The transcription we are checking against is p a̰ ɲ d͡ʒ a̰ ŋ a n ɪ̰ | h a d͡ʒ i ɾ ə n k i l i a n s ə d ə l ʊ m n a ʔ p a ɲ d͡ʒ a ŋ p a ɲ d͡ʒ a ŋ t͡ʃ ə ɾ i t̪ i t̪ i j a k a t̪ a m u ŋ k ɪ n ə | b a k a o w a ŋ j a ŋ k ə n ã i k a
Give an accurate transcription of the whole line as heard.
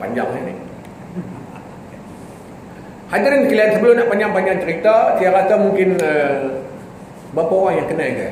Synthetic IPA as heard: p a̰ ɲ d͡ʒ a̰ ŋ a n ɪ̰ | h a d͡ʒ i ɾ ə n k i l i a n s ə b ə l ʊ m n a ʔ p a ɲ d͡ʒ a ŋ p a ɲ d͡ʒ a ŋ t͡ʃ ə ɾ i t̪ a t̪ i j a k a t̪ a m u ŋ k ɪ n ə | b a p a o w a ŋ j a ŋ k ə n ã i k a